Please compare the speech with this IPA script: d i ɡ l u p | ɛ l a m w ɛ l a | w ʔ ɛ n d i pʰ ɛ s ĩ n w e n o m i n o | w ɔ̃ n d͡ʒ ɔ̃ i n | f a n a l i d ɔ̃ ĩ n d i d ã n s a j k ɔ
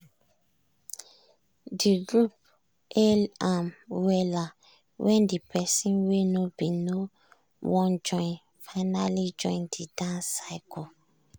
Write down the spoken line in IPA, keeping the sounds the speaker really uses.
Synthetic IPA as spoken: d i ɡ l u p | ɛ l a m w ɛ l a | w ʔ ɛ n d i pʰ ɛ s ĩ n w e n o b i n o | w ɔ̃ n d͡ʒ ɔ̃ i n | f a n a l i d͡ʒ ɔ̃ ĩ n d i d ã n s a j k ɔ

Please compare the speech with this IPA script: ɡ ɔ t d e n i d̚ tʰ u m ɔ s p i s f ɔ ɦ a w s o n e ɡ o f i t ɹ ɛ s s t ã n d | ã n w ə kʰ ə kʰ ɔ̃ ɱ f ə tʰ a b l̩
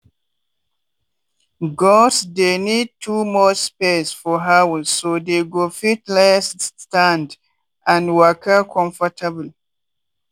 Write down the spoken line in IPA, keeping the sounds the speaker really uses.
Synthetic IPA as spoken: ɡ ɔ s d e n i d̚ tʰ u m ɔ s p e s f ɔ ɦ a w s o d e ɡ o f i t l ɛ s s t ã n d | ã n w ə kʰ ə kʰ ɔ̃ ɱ f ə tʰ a b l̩

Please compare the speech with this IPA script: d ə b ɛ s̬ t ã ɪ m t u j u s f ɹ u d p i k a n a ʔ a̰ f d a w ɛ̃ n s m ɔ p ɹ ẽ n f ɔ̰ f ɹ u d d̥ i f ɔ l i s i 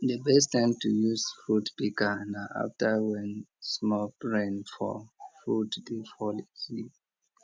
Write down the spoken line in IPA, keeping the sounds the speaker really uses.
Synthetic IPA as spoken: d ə b ɛ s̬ t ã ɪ m t u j u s f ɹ u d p i k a n a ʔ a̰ f t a w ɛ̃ n s m ɔ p ɹ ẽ n f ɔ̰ f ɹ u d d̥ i f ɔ l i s i

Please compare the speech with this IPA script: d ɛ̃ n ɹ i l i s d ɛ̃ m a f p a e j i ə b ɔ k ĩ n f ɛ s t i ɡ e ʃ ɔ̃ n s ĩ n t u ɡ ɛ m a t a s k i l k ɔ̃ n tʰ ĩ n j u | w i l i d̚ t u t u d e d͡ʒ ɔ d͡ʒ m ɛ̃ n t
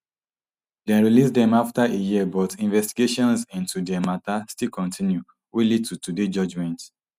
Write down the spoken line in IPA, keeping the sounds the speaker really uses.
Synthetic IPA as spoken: d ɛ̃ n ɹ i l i s d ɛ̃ m a f t a e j i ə b ɔ t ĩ n v ɛ s t i ɡ e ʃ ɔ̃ n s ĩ n t u d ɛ m a t a s t i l k ɔ̃ n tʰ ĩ n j u | w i l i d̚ t u t u d e d͡ʒ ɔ d͡ʒ m ɛ̃ n t

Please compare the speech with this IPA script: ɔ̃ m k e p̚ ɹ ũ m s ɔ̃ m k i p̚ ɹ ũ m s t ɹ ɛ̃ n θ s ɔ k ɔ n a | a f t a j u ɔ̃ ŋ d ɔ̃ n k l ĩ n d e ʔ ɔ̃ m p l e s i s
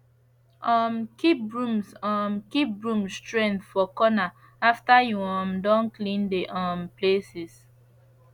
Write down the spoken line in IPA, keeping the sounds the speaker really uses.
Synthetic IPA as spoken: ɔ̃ m k i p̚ ɹ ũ m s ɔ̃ m k i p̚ ɹ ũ m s t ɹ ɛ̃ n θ f ɔ k ɔ n a | a f t a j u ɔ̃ m d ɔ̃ n k l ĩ n d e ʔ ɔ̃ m p l e s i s

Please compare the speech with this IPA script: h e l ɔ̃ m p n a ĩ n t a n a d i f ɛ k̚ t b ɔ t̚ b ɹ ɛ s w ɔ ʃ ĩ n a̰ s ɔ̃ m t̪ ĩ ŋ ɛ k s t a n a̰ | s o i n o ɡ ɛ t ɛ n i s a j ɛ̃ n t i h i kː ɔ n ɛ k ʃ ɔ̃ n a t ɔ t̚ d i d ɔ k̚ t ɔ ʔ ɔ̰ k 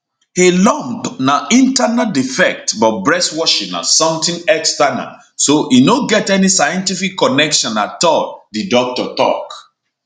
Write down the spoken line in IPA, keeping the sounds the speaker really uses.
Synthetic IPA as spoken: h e l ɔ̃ m p n a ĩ n t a n a d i f ɛ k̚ t b ɔ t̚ b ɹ ɛ s w ɔ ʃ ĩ n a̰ s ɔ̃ m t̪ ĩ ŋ ɛ k s t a n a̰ | s o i n o ɡ ɛ t ɛ n i s a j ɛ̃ n t i f i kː ɔ n ɛ k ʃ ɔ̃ n a t ɔ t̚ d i d ɔ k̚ t ɔ t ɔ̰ k

